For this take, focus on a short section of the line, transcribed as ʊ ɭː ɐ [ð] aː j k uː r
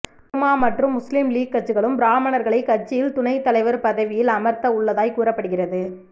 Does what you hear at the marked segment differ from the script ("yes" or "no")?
no